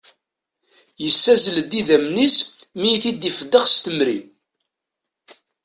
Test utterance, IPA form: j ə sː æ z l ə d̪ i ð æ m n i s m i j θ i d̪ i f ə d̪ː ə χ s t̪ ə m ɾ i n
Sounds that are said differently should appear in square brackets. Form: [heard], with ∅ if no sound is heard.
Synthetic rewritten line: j ə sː æ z l ə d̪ i ð æ m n i s m i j θ i d̪ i f ə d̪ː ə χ s t̪ ə m ɾ i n